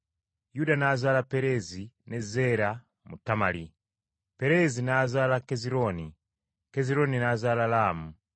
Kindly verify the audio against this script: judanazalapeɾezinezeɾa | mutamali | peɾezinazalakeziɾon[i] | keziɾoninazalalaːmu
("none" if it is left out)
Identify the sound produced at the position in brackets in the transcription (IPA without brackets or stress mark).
i